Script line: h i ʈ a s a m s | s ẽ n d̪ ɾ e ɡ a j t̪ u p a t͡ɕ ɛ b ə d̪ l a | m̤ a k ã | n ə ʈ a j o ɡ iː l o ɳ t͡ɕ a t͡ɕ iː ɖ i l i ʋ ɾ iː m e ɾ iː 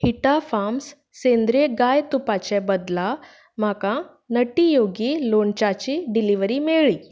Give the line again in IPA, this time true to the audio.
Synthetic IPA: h i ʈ a f a m s | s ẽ n d̪ ɾ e ɡ a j t̪ u p a t͡ɕ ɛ b ə d̪ l a | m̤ a k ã | n ə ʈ i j o ɡ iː l o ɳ t͡ɕ a t͡ɕ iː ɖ i l i ʋ ɾ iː m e ɭ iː